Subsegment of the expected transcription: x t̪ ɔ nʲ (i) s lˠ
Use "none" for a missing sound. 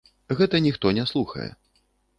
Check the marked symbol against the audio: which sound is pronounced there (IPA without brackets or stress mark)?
ɛ